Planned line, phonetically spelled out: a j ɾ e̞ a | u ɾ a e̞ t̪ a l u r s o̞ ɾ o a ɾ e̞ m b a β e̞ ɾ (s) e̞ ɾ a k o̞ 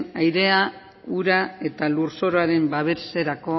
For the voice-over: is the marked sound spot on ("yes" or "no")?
yes